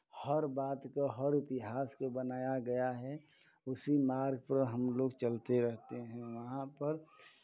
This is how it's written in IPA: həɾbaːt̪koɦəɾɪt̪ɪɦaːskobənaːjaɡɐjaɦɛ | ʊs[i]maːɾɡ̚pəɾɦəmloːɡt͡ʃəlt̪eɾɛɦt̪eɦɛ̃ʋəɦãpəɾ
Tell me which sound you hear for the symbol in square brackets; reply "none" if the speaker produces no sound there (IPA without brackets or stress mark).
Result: i